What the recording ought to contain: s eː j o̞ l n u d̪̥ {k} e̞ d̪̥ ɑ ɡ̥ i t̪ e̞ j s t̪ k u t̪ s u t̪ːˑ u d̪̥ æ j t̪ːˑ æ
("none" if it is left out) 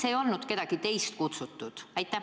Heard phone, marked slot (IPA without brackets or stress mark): k